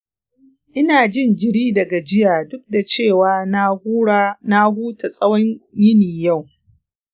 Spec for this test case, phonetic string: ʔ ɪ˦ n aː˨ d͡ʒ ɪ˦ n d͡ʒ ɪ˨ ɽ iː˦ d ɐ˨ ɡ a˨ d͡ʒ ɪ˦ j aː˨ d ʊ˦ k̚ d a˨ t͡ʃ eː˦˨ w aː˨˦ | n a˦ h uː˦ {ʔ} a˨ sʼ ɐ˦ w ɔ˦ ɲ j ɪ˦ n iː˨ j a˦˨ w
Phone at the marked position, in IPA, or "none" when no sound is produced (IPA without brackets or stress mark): t